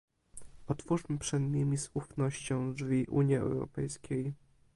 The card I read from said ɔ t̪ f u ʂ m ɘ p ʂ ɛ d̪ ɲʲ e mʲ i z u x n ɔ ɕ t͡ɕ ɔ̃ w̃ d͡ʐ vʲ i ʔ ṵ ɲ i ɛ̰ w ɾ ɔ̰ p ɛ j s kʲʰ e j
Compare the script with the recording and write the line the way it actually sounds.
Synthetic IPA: ɔ t̪ f u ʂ m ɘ p ʂ ɛ d̪ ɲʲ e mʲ i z u f n ɔ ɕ t͡ɕ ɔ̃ w̃ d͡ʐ vʲ i ʔ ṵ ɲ i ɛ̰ w ɾ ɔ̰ p ɛ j s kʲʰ e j